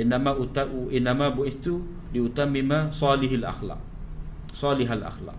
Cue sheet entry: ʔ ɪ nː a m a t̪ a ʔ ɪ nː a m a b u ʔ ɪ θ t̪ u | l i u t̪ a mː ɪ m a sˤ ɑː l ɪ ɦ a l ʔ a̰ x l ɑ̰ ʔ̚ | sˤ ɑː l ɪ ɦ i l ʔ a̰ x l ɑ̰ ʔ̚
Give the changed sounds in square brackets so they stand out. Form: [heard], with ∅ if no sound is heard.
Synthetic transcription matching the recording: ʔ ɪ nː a m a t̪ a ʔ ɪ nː a m a b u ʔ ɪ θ t̪ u | l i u t̪ a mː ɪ m a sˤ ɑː l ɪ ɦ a l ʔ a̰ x l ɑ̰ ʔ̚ | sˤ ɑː l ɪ ɦ [a] l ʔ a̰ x l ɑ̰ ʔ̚